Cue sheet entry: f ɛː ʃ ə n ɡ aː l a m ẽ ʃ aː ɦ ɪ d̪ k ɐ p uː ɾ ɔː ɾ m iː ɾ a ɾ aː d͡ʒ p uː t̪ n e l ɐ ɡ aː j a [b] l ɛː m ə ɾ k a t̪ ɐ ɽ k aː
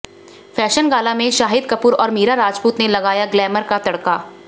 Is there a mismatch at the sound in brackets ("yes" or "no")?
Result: yes